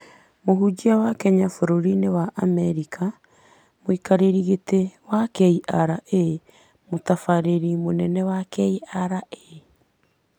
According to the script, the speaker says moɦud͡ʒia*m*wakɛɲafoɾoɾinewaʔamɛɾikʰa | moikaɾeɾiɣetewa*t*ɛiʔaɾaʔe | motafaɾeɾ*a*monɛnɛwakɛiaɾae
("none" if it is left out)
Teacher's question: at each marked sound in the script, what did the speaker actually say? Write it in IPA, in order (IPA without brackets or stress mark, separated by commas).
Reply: none, k, i